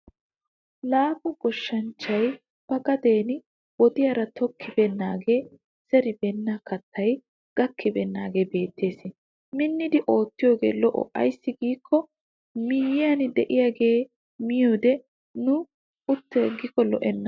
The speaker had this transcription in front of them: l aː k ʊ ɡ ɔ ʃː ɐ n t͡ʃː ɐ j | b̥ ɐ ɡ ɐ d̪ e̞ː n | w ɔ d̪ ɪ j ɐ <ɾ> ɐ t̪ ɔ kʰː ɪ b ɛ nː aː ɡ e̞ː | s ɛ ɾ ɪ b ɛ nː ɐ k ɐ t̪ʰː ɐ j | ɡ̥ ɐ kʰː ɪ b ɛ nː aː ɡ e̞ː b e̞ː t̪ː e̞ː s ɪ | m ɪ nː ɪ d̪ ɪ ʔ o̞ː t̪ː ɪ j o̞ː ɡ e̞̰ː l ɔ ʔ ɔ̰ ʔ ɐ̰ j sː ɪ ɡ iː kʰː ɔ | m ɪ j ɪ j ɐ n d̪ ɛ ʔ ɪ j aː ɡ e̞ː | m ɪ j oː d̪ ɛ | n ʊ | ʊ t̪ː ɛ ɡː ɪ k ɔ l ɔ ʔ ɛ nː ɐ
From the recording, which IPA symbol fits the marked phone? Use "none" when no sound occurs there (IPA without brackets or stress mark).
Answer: ɾ